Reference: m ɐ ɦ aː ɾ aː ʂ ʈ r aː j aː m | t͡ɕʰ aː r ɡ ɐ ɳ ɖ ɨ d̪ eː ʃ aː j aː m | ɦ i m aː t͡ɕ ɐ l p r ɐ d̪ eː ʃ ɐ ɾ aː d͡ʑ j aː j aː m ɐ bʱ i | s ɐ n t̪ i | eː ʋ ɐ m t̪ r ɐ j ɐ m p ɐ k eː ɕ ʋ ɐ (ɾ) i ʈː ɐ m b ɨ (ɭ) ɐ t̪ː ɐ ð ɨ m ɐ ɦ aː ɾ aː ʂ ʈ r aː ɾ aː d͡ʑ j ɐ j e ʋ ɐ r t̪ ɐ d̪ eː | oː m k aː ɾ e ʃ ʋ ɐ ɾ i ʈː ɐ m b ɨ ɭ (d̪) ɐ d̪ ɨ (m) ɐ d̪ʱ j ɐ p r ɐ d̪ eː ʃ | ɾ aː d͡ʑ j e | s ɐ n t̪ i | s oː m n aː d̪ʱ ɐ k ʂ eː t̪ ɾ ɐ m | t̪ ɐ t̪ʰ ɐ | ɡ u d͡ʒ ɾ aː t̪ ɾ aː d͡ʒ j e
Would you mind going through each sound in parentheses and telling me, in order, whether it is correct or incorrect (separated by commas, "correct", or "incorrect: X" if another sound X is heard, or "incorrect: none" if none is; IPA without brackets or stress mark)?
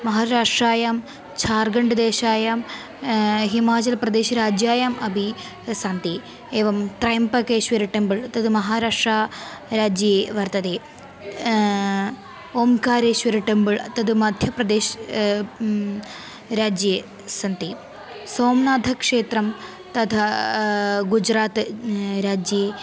correct, correct, incorrect: t̪, correct